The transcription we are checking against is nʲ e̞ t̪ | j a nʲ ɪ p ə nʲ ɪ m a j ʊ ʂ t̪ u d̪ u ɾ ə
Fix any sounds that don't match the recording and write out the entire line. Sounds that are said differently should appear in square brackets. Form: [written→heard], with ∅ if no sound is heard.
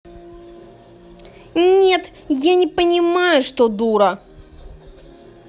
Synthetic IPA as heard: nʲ e̞ t̪ | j a nʲ ɪ p ə nʲ ɪ m a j ʊ ʂ t̪ [u→o] d̪ u ɾ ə

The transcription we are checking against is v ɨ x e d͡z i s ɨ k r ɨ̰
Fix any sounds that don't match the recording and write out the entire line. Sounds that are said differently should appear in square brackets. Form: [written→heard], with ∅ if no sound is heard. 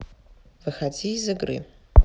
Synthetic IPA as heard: v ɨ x [e→a] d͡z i [s→z] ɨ [k→ɡ] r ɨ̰

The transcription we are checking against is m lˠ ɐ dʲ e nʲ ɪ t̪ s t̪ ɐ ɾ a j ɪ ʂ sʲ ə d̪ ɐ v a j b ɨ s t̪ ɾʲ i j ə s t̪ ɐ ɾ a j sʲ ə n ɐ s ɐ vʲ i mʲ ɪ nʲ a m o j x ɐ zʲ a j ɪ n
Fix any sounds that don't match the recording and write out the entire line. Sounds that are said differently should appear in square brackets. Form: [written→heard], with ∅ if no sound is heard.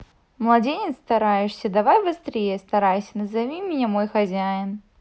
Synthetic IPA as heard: m lˠ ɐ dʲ e nʲ ɪ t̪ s t̪ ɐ ɾ a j ɪ ʂ sʲ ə d̪ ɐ v a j b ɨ s t̪ ɾʲ [i→e] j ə s t̪ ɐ ɾ a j sʲ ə n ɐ [s→z] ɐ vʲ i mʲ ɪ nʲ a m o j x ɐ zʲ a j ɪ n

